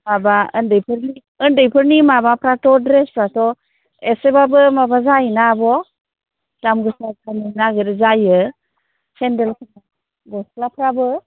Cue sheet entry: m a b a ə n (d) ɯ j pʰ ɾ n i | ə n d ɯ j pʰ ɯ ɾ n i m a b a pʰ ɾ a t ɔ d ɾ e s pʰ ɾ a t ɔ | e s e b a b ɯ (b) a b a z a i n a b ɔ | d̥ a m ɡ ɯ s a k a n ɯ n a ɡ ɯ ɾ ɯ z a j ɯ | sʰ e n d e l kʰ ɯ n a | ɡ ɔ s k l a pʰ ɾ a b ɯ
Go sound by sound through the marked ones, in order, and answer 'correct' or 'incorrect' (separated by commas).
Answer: correct, incorrect